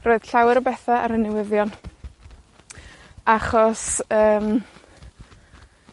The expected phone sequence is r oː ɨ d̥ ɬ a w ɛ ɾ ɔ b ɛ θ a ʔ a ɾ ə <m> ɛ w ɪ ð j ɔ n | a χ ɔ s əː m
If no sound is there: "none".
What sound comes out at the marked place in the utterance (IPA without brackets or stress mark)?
n